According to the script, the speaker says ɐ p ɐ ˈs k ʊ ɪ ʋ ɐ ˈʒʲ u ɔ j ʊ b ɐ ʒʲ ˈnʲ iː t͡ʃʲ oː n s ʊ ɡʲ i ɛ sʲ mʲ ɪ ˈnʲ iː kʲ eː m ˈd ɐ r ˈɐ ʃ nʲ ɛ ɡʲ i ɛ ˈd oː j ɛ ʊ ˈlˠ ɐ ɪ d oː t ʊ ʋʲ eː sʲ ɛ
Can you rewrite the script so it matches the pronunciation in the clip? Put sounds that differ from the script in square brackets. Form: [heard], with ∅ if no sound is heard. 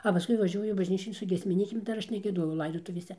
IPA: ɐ p ɐ ˈs k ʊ ɪ ʋ ɐ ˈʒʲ u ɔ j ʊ b ɐ ʒʲ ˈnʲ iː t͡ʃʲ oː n s ʊ ɡʲ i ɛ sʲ mʲ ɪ ˈnʲ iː kʲ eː m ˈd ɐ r ˈɐ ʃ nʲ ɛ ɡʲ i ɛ ˈd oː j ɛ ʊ ˈlˠ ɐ ɪ d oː t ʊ ʋʲ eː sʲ ɛ